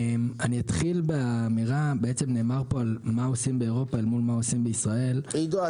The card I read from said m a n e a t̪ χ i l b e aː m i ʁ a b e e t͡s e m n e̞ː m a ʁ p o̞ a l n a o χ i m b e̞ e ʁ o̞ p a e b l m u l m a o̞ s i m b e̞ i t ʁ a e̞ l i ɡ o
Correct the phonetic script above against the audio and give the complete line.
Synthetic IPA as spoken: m a n i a t̪ χ i l b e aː m i ʁ a b e e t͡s e m n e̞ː m a ʁ p o̞ a l m a o s i m b e̞ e ʁ o̞ p a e l m u l m a o̞ s i m b e̞ i s ʁ a e̞ l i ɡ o